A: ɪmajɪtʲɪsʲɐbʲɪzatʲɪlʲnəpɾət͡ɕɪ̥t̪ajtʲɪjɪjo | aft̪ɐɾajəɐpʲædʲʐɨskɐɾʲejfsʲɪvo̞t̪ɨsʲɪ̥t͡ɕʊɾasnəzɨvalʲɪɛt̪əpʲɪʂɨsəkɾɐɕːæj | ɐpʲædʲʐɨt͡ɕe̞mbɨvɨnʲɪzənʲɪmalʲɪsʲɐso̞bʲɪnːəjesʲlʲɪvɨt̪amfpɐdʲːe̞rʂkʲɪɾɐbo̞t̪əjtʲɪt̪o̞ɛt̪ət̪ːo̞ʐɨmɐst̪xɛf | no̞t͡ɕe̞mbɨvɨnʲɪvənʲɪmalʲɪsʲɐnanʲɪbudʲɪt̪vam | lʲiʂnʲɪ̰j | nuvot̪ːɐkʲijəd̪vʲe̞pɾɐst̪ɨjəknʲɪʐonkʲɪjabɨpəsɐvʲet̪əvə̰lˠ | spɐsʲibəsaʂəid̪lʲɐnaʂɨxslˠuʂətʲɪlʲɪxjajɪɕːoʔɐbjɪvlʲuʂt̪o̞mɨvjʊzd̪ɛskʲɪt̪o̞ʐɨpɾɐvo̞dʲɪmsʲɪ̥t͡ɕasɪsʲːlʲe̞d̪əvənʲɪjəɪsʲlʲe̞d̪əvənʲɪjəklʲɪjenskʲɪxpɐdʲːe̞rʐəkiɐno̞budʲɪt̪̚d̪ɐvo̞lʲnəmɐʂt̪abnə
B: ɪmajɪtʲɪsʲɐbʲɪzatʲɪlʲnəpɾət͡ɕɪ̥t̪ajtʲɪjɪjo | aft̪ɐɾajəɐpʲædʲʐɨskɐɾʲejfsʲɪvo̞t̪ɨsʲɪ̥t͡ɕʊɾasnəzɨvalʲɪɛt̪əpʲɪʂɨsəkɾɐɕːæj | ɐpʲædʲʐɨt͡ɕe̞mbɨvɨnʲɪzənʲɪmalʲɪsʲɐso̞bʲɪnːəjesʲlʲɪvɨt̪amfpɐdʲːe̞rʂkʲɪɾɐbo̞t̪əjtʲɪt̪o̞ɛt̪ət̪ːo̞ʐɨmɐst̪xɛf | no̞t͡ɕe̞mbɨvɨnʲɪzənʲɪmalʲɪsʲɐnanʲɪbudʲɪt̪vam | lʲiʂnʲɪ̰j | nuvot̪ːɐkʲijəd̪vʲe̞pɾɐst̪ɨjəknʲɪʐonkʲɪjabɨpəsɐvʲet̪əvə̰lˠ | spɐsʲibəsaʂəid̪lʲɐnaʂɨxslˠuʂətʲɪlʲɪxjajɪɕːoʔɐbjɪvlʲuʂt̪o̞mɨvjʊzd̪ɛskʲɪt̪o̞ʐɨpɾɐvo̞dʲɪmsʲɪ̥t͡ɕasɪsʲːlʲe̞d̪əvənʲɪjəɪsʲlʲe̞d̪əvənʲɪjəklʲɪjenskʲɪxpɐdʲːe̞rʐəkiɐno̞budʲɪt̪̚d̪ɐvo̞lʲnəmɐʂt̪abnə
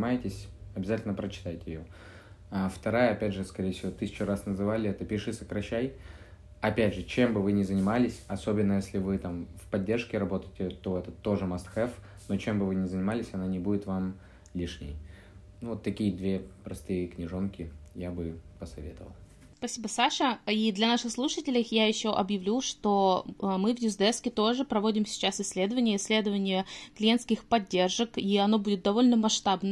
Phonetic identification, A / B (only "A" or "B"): B